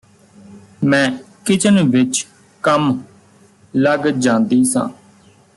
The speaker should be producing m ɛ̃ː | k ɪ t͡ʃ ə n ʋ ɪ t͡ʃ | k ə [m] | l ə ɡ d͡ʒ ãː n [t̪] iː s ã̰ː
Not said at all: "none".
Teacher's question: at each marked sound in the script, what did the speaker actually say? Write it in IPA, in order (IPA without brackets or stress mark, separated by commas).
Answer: m, d̪